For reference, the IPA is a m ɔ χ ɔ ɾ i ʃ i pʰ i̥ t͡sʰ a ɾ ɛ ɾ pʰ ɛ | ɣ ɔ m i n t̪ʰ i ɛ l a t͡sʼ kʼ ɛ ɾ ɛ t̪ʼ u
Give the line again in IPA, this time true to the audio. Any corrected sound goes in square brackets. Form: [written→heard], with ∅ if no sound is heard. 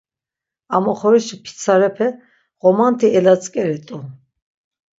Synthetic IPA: a m ɔ χ ɔ ɾ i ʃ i pʰ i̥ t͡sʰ a ɾ ɛ [ɾ→∅] pʰ ɛ | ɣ ɔ m [i→a] n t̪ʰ i ɛ l a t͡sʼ kʼ ɛ ɾ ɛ t̪ʼ u